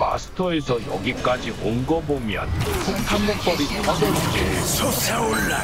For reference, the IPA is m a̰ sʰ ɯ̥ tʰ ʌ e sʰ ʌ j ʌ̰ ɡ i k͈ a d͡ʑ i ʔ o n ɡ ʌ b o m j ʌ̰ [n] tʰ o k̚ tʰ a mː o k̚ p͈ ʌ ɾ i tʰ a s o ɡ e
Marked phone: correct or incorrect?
correct